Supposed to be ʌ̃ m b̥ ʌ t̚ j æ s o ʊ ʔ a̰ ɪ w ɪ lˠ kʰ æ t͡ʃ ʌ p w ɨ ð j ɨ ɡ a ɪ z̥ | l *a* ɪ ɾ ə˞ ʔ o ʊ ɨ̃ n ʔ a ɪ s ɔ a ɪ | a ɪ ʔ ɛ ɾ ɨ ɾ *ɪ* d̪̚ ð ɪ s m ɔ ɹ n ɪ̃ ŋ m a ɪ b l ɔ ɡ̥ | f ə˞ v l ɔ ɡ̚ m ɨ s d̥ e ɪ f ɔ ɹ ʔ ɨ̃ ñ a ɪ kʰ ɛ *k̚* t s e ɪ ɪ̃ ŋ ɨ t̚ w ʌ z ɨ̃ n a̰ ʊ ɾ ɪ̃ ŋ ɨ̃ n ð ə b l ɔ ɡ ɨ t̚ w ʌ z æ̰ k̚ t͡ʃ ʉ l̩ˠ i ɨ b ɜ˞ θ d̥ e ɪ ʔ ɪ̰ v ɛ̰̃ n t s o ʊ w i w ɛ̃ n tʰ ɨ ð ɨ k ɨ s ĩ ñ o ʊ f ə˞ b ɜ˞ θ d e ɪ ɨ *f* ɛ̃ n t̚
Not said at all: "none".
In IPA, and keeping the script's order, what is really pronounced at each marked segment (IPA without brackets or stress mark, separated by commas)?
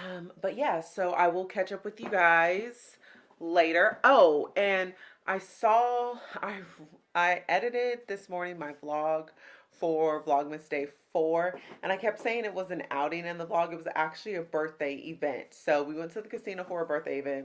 e, ɪ, p̚, v